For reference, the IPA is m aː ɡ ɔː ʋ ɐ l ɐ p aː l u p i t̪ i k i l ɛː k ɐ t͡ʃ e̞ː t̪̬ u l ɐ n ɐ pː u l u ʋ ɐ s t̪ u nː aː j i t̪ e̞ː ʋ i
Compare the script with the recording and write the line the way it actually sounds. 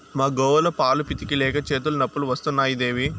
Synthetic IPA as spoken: m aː ɡ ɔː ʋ ɐ l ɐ p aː l u p i t̪ i k i l ɛː k ɐ t͡ʃ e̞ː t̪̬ u l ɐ n ɐ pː u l u ʋ ɐ s t̪ u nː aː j i d̪ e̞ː ʋ i